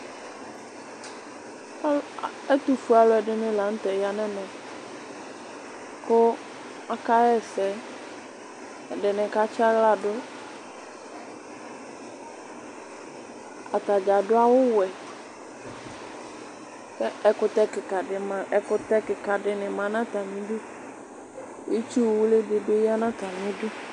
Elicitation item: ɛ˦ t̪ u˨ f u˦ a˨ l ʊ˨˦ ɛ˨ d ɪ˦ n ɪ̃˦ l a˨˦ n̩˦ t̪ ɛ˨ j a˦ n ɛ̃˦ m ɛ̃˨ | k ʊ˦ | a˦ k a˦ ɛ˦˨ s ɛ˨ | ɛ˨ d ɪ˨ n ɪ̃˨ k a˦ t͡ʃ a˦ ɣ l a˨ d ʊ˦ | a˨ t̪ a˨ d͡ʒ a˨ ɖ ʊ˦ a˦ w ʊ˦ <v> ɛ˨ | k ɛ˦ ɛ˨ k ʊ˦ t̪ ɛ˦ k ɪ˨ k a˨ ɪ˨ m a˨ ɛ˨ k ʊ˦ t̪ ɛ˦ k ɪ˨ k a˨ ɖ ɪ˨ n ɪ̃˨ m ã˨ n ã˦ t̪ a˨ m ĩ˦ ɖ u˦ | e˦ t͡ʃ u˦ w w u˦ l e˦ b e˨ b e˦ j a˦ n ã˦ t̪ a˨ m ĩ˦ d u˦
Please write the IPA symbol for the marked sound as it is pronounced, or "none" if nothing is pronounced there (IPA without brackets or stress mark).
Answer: w